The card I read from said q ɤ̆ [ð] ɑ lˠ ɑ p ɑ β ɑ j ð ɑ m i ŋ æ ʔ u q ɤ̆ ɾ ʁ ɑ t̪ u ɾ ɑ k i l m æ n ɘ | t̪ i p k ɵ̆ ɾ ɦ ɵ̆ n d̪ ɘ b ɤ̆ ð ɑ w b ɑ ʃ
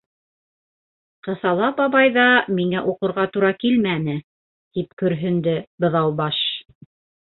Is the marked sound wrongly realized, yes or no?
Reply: yes